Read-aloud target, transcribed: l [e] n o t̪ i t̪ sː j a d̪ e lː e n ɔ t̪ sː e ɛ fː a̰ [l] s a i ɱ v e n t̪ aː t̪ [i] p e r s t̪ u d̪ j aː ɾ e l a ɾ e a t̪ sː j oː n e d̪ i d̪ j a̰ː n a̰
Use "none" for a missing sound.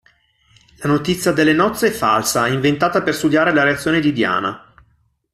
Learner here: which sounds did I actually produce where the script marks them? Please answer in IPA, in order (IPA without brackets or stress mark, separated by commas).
a, l, a